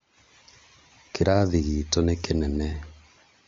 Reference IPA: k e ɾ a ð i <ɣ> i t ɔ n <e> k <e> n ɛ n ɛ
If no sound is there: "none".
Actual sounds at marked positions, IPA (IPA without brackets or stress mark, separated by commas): ɣ, e, e